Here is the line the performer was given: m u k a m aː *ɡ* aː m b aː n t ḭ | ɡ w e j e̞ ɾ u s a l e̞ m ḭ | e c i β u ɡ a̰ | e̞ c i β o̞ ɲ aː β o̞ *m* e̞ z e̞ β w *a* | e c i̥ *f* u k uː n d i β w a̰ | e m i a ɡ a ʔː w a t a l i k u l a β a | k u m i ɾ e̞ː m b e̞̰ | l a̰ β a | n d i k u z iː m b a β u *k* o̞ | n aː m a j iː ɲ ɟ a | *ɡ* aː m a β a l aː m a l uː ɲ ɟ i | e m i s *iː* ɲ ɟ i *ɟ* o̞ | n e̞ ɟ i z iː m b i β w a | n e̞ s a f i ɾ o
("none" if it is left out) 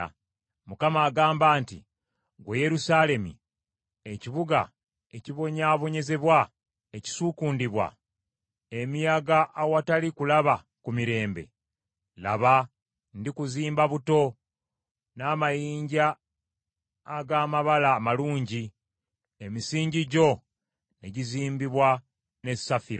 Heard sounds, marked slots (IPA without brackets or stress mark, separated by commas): ɡ, ɲ, a, s, t, ɡ, iː, ɟ